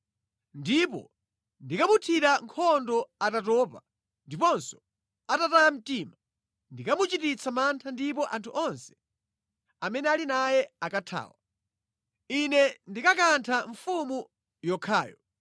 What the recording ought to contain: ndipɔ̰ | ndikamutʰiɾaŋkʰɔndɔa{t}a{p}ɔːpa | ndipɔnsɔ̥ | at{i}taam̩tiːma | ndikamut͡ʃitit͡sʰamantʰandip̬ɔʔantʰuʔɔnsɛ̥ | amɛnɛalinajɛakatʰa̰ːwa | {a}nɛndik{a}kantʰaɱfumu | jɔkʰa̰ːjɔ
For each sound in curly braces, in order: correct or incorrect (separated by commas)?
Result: correct, incorrect, incorrect, incorrect, correct